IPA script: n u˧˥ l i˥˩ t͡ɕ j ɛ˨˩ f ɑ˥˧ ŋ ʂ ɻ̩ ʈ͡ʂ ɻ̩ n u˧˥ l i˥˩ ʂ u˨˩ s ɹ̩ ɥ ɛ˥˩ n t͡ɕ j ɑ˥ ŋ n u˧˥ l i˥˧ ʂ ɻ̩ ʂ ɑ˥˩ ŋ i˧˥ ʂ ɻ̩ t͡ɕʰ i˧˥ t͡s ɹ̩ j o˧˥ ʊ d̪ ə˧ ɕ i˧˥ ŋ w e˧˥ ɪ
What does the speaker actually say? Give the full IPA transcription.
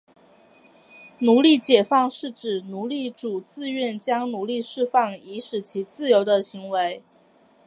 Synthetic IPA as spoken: n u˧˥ l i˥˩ t͡ɕ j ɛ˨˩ f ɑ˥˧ ŋ ʂ ɻ̩ ʈ͡ʂ ɻ̩ n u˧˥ l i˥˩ ʈ͡ʂ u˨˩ t͡s ɹ̩ ɥ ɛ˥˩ n t͡ɕ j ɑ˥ ŋ n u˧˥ l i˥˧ ʂ ɻ̩ f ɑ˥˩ ŋ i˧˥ ʂ ɻ̩ t͡ɕʰ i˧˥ t͡s ɹ̩ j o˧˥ ʊ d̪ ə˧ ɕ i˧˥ ŋ w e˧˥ ɪ

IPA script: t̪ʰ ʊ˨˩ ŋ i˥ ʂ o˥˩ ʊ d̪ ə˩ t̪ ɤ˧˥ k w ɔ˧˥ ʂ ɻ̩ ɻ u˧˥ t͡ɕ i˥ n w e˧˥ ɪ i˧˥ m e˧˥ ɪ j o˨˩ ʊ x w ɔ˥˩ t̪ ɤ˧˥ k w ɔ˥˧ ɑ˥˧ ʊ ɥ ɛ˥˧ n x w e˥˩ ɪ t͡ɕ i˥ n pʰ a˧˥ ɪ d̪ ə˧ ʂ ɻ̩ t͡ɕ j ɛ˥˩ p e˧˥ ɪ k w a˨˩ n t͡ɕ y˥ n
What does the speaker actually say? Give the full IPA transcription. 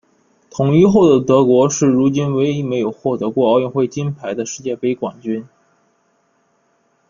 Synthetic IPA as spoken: t̪ʰ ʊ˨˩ ŋ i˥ x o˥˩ ʊ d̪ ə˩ t̪ ɤ˧˥ k w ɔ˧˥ ʂ ɻ̩ ɻ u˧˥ t͡ɕ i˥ n w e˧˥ ɪ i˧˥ m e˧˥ ɪ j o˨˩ ʊ x w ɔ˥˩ t̪ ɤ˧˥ k w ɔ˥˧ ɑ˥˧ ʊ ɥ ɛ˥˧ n x w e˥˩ ɪ t͡ɕ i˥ n pʰ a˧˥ ɪ d̪ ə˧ ʂ ɻ̩ t͡ɕ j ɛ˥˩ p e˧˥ ɪ k w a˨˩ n t͡ɕ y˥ n

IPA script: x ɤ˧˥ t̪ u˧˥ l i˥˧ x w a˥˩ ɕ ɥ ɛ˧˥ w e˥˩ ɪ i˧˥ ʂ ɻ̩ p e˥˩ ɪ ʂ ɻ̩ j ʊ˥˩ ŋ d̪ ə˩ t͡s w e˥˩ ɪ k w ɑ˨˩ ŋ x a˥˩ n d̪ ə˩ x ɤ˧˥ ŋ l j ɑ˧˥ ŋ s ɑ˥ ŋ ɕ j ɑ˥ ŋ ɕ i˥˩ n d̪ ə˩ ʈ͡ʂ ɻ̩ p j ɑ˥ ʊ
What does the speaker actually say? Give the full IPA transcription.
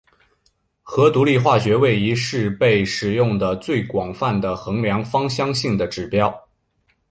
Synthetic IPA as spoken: x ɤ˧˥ t̪ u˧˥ l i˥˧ x w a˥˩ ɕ ɥ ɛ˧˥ w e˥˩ ɪ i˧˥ ʂ ɻ̩ p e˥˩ ɪ ʂ ɻ̩ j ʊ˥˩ ŋ d̪ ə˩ t͡s w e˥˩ ɪ k w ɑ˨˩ ŋ f a˥˩ n d̪ ə˩ x ɤ˧˥ ŋ l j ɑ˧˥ ŋ f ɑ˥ ŋ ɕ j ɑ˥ ŋ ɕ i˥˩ ŋ d̪ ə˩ ʈ͡ʂ ɻ̩ p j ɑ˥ ʊ

